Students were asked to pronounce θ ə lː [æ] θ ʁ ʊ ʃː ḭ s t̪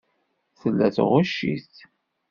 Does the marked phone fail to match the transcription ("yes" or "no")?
no